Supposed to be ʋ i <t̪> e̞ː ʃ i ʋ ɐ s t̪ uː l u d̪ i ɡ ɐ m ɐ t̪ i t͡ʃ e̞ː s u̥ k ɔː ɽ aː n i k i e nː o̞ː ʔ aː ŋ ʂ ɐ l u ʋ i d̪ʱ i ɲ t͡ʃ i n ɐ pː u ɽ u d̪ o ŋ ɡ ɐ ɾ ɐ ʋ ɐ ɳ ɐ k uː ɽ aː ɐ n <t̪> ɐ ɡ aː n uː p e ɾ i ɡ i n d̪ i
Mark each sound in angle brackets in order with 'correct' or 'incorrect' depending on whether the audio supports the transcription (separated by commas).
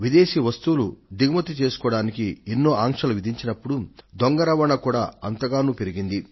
incorrect, correct